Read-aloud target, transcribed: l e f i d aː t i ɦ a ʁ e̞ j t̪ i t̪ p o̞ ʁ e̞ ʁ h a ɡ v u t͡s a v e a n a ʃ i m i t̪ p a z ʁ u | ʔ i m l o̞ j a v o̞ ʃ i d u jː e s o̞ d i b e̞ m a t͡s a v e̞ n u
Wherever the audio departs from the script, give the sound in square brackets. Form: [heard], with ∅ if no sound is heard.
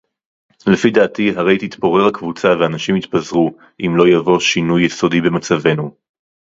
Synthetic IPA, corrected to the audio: l e f i d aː t i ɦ a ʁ e̞ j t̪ i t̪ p o̞ ʁ e̞ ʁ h a [k] v u t͡s a v e a n a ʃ i m i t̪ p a z ʁ u | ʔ i m l o̞ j a v o̞ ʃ i [n] u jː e s o̞ d i b e̞ m a t͡s a v e̞ n u